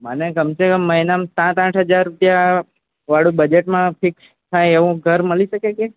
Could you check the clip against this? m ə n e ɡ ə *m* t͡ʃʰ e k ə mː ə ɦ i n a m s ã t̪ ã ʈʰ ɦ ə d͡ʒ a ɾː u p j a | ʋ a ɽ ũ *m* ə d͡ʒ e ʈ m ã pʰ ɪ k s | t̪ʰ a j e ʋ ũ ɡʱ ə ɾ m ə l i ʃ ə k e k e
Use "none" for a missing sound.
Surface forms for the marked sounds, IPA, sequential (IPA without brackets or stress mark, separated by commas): m, b